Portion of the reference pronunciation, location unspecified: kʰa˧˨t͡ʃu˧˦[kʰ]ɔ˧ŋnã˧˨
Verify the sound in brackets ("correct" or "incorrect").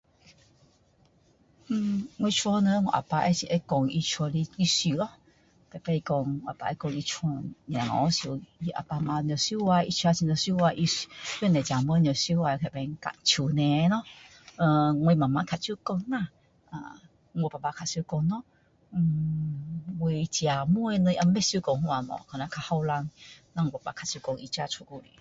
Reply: incorrect